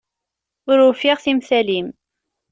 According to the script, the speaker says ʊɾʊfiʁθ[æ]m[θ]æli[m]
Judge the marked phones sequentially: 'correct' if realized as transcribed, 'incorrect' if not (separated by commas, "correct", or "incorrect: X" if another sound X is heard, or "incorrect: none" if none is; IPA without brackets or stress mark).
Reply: incorrect: i, correct, correct